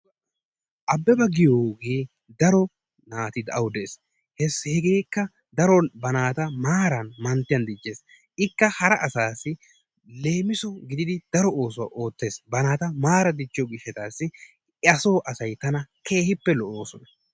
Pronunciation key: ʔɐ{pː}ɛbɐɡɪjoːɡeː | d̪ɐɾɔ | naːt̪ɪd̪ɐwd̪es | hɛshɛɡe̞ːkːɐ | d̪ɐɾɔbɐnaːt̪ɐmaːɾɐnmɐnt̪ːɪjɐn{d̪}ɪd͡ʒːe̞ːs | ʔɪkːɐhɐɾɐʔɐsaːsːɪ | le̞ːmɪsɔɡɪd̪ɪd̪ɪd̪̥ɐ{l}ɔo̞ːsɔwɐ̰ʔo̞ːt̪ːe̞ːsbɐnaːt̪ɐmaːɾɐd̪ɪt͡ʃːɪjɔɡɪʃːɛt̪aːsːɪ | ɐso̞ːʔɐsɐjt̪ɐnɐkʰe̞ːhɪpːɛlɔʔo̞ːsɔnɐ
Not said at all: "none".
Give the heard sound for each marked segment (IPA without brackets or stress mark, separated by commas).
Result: bː, d̪, ɾ